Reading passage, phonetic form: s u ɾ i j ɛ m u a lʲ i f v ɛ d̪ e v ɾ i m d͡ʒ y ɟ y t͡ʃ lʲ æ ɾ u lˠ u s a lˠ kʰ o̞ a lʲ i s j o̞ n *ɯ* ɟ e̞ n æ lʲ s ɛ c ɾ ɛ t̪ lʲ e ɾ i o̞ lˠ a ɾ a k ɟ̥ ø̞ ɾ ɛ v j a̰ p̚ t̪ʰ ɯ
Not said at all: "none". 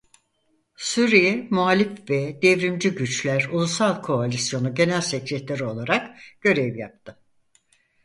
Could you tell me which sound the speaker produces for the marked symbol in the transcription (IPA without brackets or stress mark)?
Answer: u